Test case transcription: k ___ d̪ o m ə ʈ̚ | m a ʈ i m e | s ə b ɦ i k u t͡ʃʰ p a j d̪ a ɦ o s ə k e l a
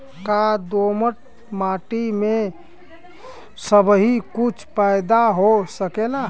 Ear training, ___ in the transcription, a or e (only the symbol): a